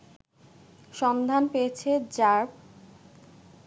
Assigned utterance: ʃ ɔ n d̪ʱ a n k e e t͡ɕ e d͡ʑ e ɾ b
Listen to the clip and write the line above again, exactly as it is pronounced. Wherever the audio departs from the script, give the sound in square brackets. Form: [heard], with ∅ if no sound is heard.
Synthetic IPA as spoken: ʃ ɔ n d̪ʱ a n [p] e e [t͡ɕʰ] e d͡ʑ [a] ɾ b